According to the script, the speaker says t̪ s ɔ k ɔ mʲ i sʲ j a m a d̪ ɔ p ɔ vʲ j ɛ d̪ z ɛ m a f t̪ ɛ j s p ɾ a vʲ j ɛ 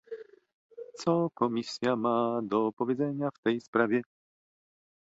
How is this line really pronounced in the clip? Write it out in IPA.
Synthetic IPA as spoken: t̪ s ɔ k ɔ mʲ i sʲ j a m a d̪ ɔ p ɔ vʲ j ɛ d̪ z ɛ ɲ a f t̪ ɛ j s p ɾ a vʲ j ɛ